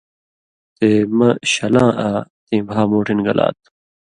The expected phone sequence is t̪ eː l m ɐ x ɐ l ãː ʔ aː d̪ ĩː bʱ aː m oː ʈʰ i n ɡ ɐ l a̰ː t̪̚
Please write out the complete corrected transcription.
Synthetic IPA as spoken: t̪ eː m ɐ ɕ ɐ l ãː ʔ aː t̪ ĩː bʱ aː m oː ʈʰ i n ɡ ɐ l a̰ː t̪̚